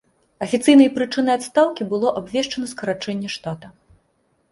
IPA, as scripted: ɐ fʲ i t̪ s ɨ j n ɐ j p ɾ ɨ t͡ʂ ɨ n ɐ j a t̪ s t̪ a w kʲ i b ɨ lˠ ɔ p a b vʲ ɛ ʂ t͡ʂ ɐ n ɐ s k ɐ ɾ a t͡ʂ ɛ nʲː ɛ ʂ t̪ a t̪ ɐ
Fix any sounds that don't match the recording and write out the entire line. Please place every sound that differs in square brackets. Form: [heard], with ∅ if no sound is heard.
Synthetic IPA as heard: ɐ fʲ i t̪ s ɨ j n ɐ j p ɾ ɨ t͡ʂ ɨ n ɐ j a t̪ s t̪ a w kʲ i b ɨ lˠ ɔ [ʔ] a b vʲ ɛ ʂ t͡ʂ ɐ n ɐ s k ɐ ɾ a t͡ʂ ɛ nʲː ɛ ʂ t̪ a t̪ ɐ